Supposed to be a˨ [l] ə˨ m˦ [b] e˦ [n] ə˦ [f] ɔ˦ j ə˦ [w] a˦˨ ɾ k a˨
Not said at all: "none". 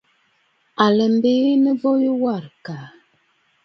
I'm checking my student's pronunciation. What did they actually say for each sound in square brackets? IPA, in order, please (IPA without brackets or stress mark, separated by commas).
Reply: l, b, n, v, w